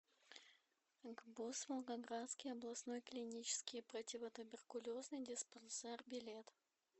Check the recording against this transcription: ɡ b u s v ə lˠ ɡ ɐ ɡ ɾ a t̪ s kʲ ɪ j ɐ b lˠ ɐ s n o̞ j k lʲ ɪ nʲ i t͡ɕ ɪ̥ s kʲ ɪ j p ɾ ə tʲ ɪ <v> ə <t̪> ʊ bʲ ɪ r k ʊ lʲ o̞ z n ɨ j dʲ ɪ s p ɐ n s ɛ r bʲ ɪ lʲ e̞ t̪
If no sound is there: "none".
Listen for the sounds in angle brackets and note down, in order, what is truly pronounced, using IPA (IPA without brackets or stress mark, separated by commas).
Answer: v, t̪